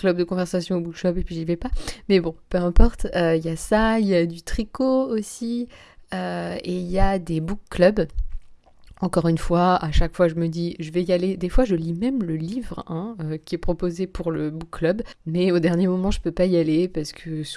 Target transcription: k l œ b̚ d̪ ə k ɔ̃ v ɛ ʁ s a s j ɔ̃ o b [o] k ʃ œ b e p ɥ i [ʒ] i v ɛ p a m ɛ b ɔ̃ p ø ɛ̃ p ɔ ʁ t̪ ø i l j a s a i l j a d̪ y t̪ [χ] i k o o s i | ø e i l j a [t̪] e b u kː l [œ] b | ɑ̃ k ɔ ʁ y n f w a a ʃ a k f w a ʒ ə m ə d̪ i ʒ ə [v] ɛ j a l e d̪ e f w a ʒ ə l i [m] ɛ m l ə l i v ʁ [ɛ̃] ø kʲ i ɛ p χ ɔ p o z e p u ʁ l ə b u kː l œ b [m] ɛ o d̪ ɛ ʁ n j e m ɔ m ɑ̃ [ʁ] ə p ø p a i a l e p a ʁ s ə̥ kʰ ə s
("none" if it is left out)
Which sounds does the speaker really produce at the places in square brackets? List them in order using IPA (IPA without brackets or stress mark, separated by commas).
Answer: u, ʒ, χ, d̪, œ, v, m, ɛ̃, m, ʒ